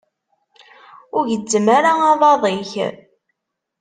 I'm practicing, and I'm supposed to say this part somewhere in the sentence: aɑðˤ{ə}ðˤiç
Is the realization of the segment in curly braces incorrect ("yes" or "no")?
yes